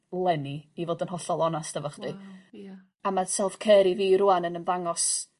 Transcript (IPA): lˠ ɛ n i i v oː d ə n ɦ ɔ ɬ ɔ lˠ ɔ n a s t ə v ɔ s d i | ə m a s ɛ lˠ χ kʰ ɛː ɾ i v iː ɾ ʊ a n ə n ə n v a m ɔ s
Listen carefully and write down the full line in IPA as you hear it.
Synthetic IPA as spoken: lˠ ɛ n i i v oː d ə n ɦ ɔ ɬ ɔ lˠ ɔ n a s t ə v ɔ χ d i | a m a s ɛ lˠ f kʰ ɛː ɾ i v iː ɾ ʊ a n ə n ə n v a ŋ ɔ s